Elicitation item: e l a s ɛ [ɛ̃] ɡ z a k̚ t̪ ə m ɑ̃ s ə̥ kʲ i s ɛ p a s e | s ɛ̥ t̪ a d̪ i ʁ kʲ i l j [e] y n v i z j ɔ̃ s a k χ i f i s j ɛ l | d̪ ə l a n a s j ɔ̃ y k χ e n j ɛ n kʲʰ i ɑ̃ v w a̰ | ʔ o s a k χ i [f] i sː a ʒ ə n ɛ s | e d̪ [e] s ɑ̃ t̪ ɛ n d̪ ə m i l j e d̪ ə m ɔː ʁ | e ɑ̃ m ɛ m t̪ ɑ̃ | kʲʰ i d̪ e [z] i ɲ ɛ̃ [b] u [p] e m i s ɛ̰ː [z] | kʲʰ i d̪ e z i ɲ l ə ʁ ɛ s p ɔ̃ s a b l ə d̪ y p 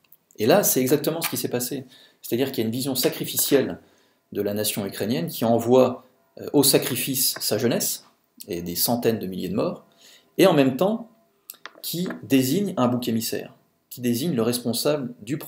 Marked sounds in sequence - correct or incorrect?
incorrect, incorrect, correct, correct, correct, correct, incorrect, incorrect

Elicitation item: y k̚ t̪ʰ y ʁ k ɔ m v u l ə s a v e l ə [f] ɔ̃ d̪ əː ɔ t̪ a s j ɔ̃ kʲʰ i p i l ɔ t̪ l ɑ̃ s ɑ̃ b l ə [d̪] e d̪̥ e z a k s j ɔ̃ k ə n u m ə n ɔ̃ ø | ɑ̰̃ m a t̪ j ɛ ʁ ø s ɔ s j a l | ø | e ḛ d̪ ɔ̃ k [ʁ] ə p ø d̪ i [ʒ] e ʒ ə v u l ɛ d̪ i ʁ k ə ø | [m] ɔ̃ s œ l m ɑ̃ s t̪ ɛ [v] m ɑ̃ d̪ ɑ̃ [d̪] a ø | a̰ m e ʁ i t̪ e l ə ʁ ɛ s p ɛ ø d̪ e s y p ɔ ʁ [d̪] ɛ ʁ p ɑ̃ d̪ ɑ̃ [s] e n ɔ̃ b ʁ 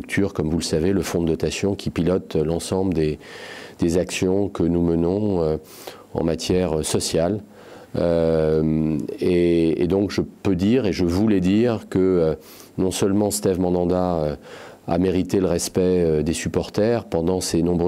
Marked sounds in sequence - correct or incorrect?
correct, correct, incorrect, incorrect, incorrect, correct, correct, incorrect, correct

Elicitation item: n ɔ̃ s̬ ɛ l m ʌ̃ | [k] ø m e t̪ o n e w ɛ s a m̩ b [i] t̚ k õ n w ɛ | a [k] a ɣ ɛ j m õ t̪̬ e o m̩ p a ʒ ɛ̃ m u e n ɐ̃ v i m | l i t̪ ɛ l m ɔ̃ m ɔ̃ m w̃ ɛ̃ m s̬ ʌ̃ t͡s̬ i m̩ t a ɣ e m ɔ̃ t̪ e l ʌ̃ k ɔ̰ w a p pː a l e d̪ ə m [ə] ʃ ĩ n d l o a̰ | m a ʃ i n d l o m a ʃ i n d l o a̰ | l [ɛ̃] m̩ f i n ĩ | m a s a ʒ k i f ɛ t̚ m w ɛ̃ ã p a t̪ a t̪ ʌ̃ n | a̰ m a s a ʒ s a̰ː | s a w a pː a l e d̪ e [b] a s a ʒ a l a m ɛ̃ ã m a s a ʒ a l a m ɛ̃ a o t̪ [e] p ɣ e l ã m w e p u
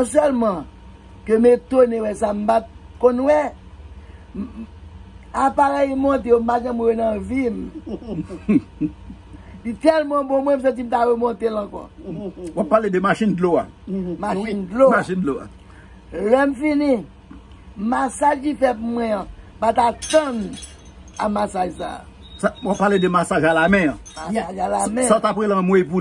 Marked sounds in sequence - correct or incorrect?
correct, incorrect, incorrect, incorrect, incorrect, incorrect, incorrect

